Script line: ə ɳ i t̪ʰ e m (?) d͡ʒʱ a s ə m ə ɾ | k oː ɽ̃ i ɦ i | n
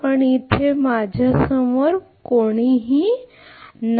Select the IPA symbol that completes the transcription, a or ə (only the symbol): a